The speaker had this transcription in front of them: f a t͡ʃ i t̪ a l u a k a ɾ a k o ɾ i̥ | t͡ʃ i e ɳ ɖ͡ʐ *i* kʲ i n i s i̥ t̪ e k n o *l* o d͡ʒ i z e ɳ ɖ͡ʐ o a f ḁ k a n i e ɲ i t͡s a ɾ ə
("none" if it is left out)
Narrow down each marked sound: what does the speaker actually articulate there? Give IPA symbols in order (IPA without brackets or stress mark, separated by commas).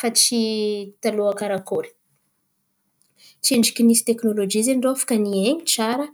i, l